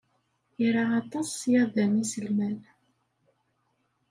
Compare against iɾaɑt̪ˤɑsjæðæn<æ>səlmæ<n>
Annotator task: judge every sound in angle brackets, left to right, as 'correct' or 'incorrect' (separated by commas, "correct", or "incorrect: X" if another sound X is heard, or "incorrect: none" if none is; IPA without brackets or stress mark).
incorrect: i, correct